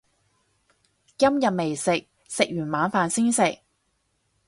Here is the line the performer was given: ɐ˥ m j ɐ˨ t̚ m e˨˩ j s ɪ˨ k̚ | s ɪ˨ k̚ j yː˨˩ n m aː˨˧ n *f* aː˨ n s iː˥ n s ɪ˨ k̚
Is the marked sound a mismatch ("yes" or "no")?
no